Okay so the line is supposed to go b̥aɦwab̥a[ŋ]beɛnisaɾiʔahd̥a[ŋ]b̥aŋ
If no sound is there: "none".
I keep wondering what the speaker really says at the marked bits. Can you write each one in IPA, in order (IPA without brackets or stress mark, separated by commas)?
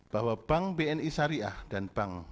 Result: ŋ, n